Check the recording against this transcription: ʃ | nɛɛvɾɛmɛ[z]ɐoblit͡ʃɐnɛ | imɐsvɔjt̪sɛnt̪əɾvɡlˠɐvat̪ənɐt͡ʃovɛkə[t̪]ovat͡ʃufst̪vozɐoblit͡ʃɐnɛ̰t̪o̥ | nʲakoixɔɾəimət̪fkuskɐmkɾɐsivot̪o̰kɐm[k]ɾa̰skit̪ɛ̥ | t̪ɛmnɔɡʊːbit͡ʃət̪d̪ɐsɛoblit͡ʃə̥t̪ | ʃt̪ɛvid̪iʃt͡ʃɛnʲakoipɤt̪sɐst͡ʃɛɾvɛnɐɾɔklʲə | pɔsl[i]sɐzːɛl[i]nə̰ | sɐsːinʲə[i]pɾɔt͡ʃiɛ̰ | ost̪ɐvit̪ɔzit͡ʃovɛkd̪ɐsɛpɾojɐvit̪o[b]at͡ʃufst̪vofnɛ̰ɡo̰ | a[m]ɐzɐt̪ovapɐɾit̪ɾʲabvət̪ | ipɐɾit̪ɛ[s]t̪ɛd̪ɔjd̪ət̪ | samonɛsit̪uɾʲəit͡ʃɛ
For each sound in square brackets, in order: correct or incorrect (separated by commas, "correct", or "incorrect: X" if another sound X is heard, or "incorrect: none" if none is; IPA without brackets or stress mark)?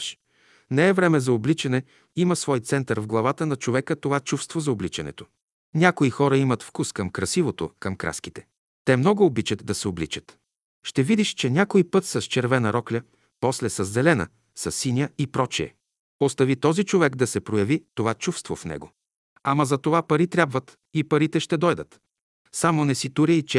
correct, correct, correct, incorrect: ɛ, incorrect: ɛ, correct, incorrect: v, correct, incorrect: ʃ